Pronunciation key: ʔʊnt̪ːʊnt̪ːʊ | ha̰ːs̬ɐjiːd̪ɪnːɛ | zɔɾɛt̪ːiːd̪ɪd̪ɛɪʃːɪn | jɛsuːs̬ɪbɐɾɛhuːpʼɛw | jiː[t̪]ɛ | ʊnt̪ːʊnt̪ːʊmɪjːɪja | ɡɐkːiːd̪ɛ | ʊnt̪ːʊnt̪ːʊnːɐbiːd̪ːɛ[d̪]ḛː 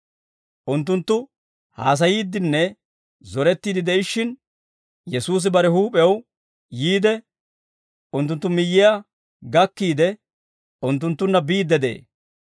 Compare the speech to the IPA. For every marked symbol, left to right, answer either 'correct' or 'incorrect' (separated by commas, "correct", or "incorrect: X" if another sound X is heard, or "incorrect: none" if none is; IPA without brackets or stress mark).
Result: incorrect: d̪, correct